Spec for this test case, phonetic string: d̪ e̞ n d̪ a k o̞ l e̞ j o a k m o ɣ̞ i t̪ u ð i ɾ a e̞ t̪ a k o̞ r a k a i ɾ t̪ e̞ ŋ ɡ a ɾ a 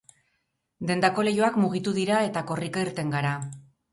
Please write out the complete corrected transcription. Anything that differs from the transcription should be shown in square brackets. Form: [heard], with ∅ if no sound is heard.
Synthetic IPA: d̪ e̞ n d̪ a k o̞ l e̞ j o a k m [u] ɣ̞ i t̪ u ð i ɾ a e̞ t̪ a k o̞ r [i] k a i ɾ t̪ e̞ ŋ ɡ a ɾ a